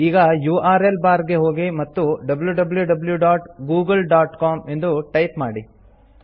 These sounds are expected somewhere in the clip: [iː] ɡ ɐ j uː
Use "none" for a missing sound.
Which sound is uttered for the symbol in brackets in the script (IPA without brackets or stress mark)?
iː